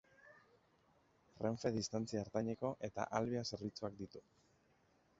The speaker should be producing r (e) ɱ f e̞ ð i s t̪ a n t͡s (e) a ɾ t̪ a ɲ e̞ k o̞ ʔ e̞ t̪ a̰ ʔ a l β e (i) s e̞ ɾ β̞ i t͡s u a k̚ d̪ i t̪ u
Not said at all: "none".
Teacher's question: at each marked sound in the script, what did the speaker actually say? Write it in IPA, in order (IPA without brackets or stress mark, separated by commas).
e, i, a